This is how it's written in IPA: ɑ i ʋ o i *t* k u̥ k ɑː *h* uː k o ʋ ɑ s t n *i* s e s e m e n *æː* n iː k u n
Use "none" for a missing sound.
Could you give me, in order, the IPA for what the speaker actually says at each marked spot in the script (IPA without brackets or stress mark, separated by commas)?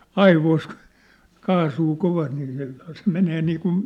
s, s, iː, eː